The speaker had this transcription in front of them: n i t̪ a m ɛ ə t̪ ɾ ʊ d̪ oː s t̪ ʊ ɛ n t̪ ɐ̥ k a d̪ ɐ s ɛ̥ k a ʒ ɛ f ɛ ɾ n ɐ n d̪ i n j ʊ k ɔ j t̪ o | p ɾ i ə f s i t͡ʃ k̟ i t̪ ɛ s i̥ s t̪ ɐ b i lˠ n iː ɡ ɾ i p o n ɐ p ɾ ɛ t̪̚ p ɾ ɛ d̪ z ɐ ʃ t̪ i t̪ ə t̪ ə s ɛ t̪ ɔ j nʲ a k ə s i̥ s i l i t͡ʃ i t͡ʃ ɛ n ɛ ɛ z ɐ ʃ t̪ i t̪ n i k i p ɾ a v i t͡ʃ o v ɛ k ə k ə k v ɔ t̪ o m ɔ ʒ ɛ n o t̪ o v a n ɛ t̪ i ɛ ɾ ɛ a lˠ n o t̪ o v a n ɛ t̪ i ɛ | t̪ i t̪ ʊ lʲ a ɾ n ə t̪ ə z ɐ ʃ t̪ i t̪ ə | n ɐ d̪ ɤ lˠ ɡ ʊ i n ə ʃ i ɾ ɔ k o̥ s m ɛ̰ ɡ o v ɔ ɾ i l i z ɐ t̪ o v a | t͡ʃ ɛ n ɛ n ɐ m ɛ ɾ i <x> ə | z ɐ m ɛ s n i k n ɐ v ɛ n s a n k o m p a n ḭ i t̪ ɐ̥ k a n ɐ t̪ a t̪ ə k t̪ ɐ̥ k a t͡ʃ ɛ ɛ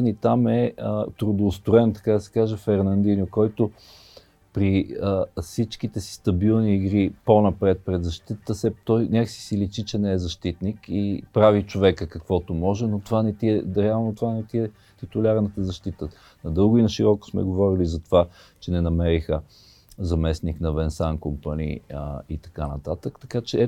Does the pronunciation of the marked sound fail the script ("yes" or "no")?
no